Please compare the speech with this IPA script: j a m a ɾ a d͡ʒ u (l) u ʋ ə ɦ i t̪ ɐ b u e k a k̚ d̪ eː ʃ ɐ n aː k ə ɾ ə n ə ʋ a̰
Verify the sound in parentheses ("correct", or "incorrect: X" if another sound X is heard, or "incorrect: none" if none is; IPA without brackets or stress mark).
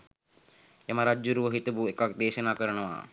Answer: incorrect: ɾ